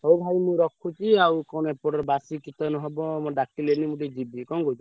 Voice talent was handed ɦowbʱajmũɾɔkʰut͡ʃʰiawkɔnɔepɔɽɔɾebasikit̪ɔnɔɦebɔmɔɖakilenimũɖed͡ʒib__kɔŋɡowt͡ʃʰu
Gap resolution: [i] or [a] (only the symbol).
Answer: i